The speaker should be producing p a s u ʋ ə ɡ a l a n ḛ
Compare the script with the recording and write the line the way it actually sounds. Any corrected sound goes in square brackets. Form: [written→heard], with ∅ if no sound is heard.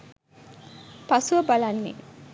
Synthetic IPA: p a s u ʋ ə [ɡ→b] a l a [n→nː] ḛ